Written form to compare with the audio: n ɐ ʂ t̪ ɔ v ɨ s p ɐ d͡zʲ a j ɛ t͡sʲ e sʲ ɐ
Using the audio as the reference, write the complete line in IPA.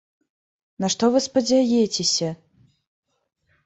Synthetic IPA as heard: n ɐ ʂ t̪ ɔ v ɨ s p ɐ d͡zʲ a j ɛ t͡sʲ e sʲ ɐ